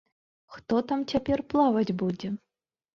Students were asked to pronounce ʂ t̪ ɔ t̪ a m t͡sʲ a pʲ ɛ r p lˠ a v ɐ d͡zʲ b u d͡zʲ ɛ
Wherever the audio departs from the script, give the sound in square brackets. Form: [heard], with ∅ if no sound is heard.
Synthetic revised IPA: [x] t̪ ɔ t̪ a m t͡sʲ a pʲ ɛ r p lˠ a v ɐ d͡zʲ b u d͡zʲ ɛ